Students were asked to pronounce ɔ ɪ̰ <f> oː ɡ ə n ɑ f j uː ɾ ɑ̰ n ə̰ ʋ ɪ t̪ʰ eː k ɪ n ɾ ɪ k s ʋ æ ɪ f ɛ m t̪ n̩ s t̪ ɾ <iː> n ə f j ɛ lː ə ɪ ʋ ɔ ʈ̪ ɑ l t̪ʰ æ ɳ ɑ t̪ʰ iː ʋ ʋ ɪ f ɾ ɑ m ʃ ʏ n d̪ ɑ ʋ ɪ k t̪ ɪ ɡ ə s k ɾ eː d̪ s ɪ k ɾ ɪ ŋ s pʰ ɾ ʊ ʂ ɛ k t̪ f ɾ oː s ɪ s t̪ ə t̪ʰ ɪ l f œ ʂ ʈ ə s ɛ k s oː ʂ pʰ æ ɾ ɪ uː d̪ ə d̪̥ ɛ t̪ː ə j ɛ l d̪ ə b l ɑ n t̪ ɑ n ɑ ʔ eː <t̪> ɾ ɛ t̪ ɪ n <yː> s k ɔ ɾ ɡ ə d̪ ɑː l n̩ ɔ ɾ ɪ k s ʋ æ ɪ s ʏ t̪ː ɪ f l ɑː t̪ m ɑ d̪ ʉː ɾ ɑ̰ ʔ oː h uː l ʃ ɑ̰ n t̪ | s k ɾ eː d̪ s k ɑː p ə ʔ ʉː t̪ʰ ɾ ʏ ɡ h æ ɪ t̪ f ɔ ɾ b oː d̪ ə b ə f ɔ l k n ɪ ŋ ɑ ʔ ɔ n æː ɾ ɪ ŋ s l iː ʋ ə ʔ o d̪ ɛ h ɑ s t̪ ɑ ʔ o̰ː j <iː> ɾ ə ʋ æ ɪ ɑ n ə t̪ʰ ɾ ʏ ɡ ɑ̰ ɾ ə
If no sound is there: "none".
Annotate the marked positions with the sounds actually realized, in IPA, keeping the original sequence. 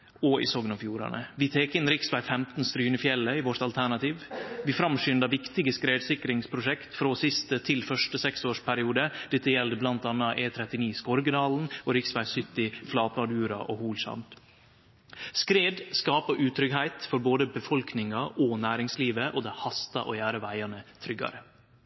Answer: s, yː, t̪ʰ, iː, æː

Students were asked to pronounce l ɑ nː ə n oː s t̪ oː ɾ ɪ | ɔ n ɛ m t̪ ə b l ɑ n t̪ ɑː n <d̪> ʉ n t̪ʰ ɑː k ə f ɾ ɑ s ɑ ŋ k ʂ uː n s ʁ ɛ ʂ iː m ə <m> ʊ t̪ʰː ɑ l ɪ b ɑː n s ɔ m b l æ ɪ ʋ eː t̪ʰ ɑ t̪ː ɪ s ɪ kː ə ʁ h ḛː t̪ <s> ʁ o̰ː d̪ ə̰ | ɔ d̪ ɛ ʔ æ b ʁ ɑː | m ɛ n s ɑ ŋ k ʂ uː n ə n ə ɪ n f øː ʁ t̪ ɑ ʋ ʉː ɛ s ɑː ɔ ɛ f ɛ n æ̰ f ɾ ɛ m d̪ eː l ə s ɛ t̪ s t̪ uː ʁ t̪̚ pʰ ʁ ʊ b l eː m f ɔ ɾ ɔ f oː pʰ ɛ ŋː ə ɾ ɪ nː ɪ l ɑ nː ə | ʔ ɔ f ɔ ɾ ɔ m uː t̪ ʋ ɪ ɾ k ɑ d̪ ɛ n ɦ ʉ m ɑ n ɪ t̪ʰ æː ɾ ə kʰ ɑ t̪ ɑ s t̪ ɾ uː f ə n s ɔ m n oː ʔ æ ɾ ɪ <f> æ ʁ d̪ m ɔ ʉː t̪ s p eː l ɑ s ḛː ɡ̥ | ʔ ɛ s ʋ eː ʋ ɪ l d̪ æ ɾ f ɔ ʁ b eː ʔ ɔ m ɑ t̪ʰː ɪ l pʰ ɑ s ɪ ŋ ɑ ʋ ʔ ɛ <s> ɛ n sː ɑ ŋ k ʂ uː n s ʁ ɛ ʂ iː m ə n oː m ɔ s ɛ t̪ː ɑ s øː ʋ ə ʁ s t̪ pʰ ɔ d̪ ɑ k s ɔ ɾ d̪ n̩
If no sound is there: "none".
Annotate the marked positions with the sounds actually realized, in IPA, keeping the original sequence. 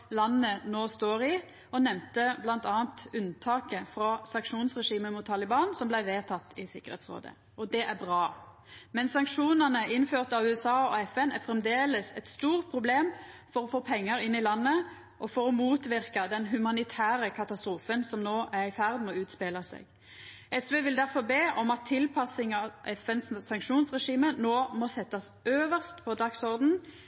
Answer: t̪, m, s, f, f

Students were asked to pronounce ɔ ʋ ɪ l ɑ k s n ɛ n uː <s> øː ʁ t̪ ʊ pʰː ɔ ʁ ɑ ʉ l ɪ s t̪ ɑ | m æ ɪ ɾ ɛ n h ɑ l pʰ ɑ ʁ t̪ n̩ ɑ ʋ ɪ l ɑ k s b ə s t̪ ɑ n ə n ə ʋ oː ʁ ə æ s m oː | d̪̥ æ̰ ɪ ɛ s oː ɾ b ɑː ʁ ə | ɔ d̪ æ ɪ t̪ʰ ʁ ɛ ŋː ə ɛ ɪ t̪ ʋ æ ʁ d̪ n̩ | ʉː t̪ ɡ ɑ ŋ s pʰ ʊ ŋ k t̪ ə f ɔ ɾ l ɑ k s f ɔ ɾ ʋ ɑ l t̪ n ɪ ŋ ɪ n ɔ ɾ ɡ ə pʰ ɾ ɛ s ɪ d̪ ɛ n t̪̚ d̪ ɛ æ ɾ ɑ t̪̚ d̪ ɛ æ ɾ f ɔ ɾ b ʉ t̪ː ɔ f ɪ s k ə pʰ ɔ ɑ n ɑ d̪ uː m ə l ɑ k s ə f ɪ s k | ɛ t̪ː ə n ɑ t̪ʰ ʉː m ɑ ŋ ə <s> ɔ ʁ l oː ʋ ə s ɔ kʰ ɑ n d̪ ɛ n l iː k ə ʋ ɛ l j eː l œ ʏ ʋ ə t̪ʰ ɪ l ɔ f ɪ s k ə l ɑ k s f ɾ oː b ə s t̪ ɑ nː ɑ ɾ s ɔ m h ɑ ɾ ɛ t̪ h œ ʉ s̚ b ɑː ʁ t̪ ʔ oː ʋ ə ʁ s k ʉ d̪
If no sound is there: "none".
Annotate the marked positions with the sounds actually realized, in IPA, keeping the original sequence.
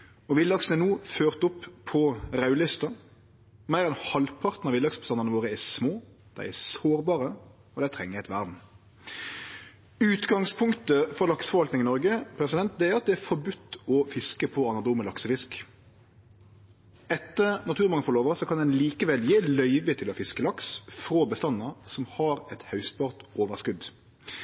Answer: f, f

